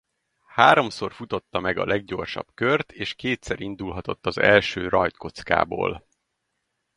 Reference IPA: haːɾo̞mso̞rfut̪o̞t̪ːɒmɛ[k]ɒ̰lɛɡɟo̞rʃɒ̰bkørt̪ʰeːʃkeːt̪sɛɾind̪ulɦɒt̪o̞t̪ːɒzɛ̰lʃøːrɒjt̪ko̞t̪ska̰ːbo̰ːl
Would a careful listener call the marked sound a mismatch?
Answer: yes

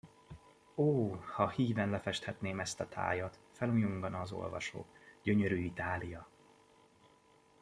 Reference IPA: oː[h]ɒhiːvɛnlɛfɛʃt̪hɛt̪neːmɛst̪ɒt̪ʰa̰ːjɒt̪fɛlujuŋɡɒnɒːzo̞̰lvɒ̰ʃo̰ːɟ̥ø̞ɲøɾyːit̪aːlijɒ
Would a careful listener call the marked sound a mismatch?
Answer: no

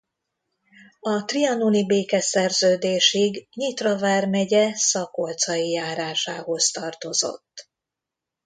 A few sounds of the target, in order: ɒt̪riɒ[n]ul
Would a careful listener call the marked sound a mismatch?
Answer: no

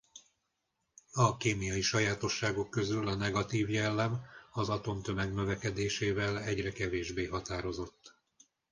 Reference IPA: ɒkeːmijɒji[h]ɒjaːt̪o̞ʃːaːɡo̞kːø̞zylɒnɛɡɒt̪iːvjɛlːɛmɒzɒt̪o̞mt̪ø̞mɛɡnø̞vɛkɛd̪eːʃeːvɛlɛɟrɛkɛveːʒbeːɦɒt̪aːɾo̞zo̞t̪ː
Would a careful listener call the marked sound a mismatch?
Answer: yes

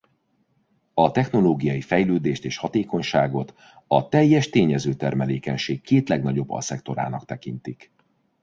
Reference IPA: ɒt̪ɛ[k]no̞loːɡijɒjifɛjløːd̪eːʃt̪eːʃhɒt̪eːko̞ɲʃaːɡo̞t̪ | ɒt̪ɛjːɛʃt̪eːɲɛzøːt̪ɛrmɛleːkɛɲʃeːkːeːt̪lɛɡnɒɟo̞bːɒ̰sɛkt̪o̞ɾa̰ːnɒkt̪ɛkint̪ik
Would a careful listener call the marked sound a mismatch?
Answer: yes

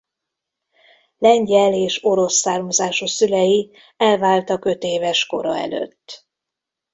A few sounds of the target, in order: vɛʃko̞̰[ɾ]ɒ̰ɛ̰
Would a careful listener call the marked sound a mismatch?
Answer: no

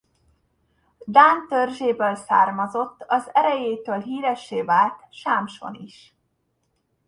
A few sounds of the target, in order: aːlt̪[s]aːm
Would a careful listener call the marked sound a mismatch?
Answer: yes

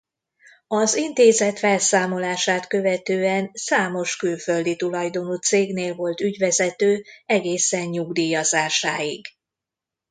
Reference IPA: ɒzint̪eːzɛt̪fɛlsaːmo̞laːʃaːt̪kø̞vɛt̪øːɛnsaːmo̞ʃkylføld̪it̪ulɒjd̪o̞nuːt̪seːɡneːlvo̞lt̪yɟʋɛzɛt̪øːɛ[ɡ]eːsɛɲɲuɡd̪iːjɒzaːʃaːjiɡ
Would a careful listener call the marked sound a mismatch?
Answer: no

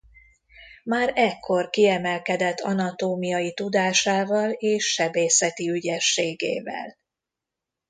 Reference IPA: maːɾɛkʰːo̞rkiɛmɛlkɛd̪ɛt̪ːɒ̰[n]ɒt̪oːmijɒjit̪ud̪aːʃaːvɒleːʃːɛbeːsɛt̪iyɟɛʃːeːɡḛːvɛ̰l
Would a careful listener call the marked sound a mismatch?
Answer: no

